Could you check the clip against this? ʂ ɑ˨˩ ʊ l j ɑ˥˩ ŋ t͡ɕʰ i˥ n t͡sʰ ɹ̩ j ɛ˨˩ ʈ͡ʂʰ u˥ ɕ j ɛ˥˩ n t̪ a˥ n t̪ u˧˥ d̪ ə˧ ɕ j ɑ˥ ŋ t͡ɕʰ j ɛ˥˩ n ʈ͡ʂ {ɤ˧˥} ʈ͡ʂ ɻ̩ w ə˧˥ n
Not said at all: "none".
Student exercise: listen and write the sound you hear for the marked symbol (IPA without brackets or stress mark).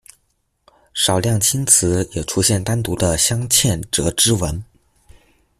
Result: ɤ˧˥